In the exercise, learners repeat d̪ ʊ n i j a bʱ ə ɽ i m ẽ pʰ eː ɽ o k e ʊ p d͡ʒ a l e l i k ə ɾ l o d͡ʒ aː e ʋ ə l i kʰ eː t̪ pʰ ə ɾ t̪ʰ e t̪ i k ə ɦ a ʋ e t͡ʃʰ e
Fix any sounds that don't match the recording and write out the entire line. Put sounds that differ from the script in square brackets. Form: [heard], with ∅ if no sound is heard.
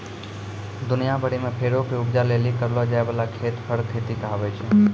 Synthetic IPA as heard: d̪ ʊ n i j a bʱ ə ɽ i m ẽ pʰ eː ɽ o k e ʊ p d͡ʒ a l e l i k ə ɾ l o d͡ʒ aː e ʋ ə l [a] kʰ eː t̪ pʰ ə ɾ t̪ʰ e t̪ i k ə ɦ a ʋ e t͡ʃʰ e